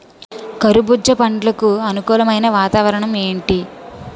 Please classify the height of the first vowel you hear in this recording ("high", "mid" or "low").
low